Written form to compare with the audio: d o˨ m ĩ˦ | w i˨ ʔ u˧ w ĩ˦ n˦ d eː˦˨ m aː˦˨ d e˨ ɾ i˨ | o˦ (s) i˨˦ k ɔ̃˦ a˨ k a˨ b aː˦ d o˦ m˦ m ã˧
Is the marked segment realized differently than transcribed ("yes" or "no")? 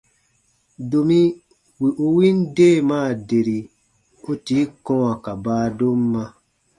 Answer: yes